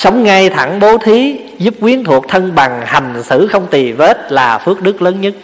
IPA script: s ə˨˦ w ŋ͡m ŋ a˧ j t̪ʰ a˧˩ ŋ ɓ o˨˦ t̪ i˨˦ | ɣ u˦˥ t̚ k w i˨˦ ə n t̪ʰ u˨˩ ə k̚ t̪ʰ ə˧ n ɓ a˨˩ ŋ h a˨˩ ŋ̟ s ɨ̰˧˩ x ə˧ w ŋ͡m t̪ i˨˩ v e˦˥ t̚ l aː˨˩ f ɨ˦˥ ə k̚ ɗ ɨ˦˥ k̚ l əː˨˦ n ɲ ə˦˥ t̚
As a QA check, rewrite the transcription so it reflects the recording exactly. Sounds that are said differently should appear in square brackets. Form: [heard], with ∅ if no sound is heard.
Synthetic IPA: s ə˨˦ w ŋ͡m ŋ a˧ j t̪ʰ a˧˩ ŋ ɓ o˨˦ [t̪ʰ] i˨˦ | [z] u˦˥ [p̚] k w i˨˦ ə n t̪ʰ u˨˩ ə k̚ t̪ʰ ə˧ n ɓ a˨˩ ŋ h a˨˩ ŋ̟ s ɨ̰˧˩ x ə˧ w ŋ͡m t̪ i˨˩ v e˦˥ t̚ l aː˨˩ f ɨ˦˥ ə k̚ ɗ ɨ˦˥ k̚ l əː˨˦ n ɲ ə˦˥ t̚